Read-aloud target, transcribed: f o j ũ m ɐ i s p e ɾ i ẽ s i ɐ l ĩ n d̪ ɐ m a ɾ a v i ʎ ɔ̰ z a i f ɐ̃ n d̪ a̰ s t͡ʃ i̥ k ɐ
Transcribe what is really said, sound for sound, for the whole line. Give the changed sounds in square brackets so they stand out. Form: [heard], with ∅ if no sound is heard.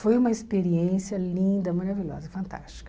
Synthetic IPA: f o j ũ m ɐ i s p e ɾ i ẽ s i ɐ l ĩ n d̪ ɐ m a ɾ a v i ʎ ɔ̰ z [ɐ] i f ɐ̃ n [t̪] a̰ s t͡ʃ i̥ k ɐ